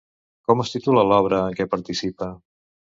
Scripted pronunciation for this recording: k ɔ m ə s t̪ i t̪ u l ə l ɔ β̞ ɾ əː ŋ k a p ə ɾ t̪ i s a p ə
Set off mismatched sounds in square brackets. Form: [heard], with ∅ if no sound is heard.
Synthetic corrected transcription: k ɔ m ə s t̪ i t̪ u l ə l ɔ β̞ ɾ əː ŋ k [ɛ] p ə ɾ t̪ i s [i] p ə

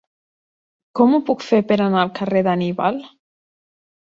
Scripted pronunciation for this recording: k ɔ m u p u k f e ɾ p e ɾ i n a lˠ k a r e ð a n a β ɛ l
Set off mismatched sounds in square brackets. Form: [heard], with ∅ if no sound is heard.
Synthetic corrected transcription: k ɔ m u p u k f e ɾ p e ɾ [a] n a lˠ k a r e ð a n [i] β [a] l

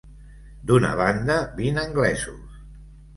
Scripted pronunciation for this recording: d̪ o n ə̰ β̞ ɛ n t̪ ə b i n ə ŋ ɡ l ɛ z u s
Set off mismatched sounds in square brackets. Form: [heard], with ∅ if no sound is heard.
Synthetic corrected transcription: d̪ [u] n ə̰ β̞ [a] n [d̪] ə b i n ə ŋ ɡ l ɛ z u s

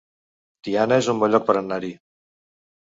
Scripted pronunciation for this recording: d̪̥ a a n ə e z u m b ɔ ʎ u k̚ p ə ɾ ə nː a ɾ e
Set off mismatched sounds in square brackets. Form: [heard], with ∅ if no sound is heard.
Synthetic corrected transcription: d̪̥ [i] a n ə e z u m b ɔ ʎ [ɔ] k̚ p ə ɾ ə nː a ɾ [i]

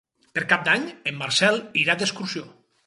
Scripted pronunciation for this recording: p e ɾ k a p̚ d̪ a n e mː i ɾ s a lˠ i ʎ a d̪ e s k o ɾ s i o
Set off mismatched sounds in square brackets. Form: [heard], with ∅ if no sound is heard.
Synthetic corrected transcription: p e ɾ k a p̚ d̪ a [ɲ] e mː [a] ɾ s [ɛ] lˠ i [ɾ] a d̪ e s k [u] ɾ s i o

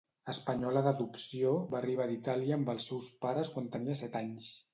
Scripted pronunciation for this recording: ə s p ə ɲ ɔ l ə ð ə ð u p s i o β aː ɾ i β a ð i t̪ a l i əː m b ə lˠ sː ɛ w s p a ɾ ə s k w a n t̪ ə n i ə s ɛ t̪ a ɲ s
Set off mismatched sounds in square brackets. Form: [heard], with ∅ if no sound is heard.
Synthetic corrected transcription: ə s p ə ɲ ɔ l ə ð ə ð u p s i o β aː [r] i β a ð i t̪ a l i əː m b ə lˠ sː ɛ w s p a ɾ ə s k w a n t̪ ə n i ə s ɛ t̪ a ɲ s

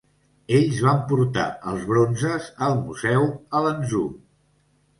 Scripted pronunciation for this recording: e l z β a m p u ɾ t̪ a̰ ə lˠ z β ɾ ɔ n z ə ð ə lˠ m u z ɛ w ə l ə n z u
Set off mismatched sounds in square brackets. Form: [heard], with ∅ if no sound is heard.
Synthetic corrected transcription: e [ʎ] z β a m p u ɾ t̪ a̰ ə lˠ z β ɾ [o] n z ə [z] ə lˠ m u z ɛ w ə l ə n z u

